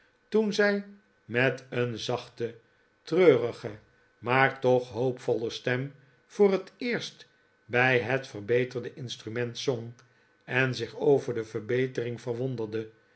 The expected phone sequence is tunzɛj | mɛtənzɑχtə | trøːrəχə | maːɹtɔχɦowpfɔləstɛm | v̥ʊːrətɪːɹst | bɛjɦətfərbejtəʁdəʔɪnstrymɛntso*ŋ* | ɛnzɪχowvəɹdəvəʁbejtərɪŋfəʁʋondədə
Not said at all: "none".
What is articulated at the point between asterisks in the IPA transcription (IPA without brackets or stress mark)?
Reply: ŋ